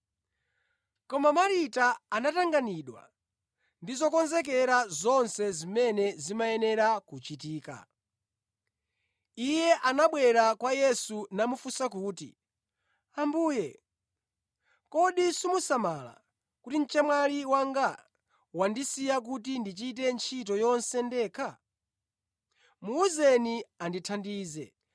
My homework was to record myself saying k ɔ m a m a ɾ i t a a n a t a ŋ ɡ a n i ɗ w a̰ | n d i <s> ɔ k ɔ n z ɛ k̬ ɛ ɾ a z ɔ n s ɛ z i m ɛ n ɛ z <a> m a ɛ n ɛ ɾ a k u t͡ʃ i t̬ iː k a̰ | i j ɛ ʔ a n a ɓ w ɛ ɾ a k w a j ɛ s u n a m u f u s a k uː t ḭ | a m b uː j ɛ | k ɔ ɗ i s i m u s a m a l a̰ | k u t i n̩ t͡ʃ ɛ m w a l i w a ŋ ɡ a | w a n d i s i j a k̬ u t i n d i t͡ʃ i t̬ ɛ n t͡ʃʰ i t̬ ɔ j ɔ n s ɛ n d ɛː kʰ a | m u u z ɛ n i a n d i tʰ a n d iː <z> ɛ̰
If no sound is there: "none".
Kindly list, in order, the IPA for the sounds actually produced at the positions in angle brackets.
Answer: z, i, z

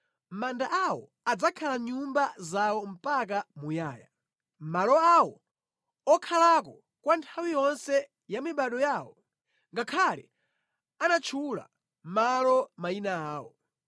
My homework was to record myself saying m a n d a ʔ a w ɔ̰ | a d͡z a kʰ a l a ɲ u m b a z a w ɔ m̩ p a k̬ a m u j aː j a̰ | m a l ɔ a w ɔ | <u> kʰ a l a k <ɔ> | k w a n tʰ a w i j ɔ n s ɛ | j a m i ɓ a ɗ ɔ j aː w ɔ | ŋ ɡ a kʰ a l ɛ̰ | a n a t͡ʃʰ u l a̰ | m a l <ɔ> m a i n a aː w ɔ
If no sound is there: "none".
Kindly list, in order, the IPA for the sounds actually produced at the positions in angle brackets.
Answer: ɔ, ɔ, ɔ

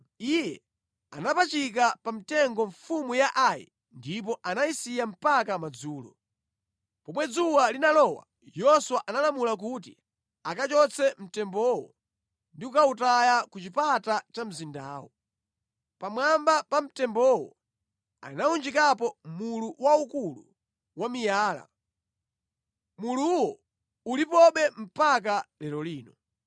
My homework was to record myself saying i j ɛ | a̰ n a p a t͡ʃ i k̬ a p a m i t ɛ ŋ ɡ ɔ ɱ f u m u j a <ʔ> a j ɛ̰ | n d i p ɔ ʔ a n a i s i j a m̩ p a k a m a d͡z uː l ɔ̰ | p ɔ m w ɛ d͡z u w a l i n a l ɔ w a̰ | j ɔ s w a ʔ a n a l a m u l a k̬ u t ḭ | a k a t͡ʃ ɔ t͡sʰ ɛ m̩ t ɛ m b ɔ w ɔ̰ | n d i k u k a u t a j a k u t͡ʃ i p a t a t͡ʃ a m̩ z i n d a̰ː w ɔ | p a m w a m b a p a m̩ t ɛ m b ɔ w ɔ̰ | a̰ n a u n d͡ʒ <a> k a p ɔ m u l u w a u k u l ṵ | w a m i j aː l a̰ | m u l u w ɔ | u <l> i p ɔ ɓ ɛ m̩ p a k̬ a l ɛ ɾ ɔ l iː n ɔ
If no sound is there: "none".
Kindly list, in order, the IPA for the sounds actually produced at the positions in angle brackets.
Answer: ʔ, i, l

